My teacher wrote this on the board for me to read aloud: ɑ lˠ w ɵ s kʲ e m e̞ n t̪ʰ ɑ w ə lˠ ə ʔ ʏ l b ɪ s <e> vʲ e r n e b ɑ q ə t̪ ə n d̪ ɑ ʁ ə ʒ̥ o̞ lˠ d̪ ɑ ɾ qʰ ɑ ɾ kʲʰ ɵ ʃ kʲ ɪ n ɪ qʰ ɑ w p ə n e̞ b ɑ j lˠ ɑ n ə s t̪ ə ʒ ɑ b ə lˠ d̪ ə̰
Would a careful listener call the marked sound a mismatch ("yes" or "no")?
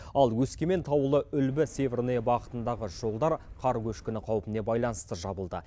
no